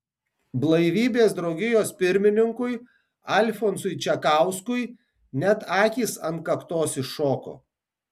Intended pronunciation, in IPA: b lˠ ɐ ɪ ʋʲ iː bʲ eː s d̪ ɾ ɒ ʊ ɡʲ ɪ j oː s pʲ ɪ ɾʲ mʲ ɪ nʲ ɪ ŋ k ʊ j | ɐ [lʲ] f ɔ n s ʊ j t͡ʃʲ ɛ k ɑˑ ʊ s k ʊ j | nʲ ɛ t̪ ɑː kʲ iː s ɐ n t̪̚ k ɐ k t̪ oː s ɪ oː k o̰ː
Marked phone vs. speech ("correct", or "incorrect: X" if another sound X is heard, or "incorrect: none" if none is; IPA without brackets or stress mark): correct